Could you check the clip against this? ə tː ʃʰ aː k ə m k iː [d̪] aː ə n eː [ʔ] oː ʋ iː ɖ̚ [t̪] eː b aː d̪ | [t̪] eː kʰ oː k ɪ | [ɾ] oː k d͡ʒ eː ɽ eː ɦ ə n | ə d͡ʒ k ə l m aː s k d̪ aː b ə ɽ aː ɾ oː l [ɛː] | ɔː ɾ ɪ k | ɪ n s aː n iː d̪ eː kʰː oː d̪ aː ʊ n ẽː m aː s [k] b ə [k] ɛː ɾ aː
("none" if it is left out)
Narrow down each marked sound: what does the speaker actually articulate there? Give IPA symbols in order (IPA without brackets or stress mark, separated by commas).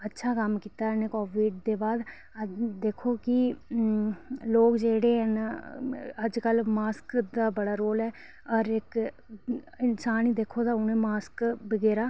t̪, k, d̪, d̪, l, ɛː, k, ɡ